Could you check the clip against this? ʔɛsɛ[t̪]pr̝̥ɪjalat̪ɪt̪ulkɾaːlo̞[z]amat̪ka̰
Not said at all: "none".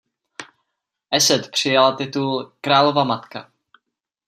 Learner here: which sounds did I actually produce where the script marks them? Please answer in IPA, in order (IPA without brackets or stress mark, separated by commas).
t̪, v